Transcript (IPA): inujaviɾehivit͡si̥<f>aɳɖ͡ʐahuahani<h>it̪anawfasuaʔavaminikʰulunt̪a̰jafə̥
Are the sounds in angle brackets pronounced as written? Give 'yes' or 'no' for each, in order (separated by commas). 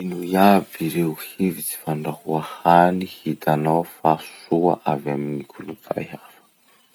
yes, yes